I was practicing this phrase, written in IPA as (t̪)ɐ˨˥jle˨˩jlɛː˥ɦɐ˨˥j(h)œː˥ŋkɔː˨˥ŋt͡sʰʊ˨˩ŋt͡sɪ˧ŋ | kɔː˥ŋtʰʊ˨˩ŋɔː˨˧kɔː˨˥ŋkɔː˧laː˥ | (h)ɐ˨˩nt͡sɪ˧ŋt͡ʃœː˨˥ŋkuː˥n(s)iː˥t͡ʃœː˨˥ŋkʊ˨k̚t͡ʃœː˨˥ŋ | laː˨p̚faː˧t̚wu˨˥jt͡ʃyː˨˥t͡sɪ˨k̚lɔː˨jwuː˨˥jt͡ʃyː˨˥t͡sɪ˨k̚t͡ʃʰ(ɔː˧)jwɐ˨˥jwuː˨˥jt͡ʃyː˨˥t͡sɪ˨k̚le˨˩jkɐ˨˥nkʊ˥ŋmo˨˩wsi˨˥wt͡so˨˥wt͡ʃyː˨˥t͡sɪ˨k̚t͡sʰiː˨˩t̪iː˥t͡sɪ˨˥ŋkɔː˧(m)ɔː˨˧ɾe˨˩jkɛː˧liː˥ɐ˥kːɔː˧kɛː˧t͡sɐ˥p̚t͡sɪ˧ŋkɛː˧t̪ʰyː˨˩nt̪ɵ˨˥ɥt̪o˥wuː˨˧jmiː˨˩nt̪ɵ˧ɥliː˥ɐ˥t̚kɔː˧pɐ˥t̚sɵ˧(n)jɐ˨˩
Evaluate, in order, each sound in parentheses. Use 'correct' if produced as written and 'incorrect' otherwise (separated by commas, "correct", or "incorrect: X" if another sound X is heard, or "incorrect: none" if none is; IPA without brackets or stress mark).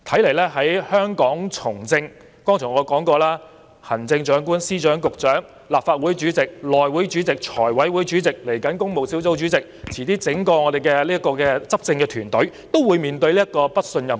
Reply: incorrect: t̪ʰ, correct, correct, correct, incorrect: ɔː˨˩, incorrect: ŋ, correct